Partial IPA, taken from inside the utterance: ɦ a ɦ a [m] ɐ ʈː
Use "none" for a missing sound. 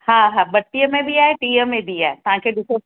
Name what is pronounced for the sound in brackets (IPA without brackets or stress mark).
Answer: b